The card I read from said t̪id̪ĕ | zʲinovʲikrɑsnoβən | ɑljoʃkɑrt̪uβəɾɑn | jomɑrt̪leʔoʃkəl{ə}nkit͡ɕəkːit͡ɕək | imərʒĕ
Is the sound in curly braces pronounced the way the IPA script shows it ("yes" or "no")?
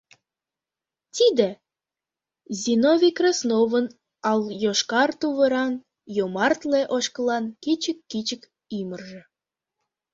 no